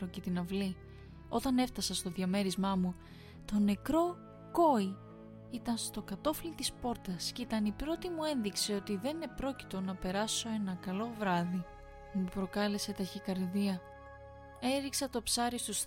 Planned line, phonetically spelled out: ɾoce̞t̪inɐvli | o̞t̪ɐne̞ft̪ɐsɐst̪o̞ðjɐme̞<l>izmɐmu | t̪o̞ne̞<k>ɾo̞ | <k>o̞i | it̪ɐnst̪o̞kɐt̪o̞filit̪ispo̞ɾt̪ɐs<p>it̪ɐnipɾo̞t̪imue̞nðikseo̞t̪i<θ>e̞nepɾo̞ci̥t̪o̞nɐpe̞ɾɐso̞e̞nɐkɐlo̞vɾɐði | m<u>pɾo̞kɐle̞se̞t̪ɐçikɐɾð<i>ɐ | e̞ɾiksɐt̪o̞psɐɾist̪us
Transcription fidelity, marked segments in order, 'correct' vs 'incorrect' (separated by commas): incorrect, correct, correct, incorrect, incorrect, correct, correct